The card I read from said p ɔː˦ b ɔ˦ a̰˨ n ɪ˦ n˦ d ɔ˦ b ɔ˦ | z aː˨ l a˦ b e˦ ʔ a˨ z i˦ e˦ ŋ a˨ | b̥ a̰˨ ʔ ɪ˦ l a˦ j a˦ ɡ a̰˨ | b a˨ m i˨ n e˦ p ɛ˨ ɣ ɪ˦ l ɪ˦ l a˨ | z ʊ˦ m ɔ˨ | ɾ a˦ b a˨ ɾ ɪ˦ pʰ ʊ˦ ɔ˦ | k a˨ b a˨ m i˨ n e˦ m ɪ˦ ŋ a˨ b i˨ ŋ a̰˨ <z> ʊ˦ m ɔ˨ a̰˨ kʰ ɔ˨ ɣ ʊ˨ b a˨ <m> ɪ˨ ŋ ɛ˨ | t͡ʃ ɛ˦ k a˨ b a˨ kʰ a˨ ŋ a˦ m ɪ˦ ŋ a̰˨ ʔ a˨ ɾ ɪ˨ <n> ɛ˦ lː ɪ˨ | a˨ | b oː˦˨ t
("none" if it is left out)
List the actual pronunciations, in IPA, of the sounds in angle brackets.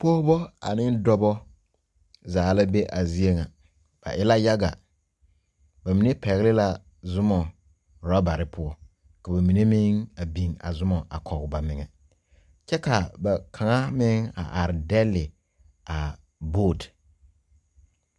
z, m, d

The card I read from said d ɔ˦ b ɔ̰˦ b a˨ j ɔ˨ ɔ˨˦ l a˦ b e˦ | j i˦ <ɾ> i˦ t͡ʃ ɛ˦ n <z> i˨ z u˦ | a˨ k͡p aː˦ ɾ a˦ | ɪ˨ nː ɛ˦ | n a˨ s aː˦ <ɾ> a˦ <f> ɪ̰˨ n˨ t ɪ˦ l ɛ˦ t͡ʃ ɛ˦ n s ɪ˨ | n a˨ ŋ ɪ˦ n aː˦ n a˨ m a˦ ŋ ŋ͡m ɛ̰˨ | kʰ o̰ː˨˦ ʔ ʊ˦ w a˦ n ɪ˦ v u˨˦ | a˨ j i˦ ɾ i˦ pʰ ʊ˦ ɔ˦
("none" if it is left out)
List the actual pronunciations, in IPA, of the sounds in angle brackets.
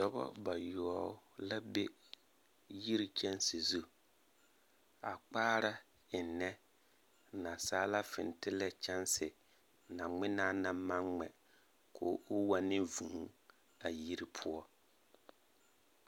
ɾ, s, l, f

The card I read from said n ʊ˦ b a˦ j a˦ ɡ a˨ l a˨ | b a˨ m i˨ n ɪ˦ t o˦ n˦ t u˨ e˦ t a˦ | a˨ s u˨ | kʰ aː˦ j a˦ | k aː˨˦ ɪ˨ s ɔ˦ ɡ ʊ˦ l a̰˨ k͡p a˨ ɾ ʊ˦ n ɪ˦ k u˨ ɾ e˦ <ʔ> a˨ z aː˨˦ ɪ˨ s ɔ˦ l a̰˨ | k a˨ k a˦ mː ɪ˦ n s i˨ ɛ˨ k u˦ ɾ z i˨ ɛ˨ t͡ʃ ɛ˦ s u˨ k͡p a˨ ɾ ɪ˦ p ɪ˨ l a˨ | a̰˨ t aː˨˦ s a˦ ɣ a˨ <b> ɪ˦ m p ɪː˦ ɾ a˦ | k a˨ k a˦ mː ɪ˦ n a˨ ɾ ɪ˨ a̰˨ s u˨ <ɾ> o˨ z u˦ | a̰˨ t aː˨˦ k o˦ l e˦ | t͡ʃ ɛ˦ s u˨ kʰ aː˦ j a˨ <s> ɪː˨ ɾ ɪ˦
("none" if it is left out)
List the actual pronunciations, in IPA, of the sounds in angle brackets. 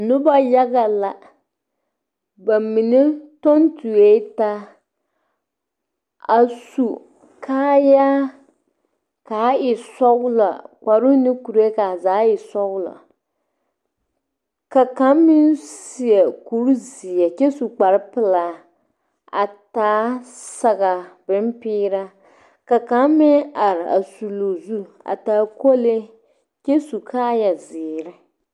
k, b, l, z

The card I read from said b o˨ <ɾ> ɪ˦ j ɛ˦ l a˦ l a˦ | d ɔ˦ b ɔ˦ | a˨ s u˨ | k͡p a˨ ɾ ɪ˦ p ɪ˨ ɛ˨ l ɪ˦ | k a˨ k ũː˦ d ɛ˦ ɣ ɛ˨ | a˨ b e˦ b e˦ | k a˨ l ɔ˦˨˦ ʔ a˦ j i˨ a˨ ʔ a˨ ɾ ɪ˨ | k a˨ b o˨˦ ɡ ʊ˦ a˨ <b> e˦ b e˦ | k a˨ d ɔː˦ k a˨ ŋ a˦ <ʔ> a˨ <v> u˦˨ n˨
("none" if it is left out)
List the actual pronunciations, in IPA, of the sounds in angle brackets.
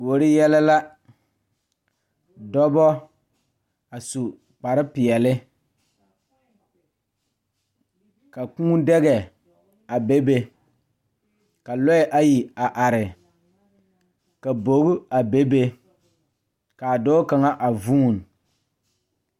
ɾ, b, ʔ, v

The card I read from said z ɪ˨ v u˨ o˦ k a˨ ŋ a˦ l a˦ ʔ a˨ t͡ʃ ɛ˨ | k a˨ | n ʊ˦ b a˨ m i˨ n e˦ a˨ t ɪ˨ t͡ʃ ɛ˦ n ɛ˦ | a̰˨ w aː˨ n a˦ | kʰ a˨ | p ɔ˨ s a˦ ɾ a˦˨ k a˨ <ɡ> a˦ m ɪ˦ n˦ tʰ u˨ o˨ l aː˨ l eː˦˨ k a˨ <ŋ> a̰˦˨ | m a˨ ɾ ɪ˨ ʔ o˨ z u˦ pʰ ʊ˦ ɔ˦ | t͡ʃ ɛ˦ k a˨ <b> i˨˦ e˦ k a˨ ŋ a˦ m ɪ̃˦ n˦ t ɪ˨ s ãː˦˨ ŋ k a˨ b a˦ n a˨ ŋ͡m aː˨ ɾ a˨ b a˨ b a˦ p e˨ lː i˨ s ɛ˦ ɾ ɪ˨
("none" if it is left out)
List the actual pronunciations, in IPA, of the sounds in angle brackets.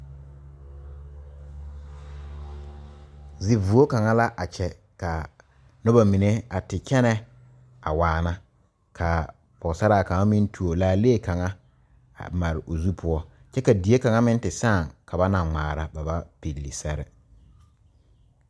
ŋ, ŋ, d

